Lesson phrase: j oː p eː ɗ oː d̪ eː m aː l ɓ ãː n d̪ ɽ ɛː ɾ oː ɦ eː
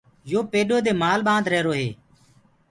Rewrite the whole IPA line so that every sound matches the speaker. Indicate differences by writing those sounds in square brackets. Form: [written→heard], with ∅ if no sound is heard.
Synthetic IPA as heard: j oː p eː ɗ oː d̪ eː m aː l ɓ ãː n d̪ [ɽ→ɾ] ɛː ɾ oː ɦ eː